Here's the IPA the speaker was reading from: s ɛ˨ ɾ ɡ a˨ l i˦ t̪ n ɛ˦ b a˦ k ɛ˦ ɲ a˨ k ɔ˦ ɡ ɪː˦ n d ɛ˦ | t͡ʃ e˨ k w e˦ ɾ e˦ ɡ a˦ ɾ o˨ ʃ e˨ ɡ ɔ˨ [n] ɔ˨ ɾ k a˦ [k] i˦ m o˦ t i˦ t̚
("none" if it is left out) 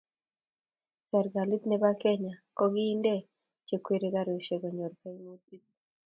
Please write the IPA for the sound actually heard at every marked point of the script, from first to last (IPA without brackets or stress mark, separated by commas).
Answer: ɲ, none